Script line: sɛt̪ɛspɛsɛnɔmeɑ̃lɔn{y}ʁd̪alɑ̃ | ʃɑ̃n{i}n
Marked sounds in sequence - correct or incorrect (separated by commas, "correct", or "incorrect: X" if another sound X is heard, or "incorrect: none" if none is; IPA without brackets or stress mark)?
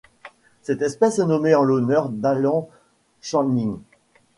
incorrect: œ, correct